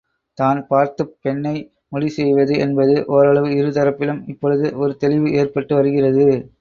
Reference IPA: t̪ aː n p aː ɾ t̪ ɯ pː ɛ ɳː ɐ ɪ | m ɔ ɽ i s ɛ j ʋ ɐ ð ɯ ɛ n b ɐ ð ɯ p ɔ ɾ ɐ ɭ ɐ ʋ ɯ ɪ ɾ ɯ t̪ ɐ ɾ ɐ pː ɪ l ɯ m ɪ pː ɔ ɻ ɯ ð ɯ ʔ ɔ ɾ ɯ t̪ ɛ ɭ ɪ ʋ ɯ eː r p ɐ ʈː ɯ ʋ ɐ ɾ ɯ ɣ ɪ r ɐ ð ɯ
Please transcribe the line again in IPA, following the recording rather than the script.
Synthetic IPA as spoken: t̪ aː n p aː ɾ t̪ ɯ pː ɛ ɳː ɐ ɪ | m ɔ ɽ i s ɛ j ʋ ɐ ð ɯ ɛ n b ɐ ð ɯ ʔ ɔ ɾ ɐ ɭ ɐ ʋ ɯ ɪ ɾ ɯ t̪ ɐ ɾ ɐ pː ɪ l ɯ m ɪ pː ɔ ɻ ɯ ð ɯ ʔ ɔ ɾ ɯ t̪ ɛ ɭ ɪ ʋ ɯ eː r p ɐ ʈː ɯ ʋ ɐ ɾ ɯ ɣ ɪ r ɐ ð ɯ